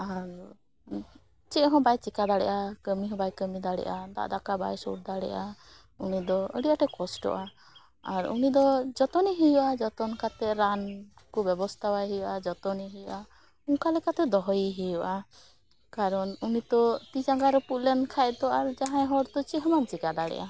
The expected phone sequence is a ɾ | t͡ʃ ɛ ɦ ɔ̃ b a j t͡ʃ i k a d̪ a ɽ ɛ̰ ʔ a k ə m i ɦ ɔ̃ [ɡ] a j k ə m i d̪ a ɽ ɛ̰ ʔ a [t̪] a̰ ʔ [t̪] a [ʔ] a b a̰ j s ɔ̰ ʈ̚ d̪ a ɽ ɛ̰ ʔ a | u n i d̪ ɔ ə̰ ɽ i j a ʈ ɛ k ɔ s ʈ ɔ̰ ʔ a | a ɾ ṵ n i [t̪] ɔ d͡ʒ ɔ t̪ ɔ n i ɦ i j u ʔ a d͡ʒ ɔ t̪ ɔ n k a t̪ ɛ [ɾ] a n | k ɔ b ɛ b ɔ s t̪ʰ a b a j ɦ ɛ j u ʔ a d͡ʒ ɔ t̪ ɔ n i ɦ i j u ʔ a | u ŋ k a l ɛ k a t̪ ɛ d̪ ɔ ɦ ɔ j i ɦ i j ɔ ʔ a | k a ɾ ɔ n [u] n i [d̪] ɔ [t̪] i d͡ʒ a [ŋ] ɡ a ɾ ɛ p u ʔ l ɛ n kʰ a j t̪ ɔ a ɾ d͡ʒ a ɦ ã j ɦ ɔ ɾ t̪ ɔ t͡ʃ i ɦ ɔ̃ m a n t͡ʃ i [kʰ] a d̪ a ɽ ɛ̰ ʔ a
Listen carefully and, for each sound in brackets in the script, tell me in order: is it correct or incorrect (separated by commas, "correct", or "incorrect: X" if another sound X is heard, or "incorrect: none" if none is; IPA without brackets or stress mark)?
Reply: incorrect: b, incorrect: d̪, incorrect: d̪, incorrect: k, incorrect: d̪, correct, correct, incorrect: t̪, correct, correct, incorrect: k